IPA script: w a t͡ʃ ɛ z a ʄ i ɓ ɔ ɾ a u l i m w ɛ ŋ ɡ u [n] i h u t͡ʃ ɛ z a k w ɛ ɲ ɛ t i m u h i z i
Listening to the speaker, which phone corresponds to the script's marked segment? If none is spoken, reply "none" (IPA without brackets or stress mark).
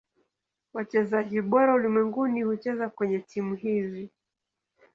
n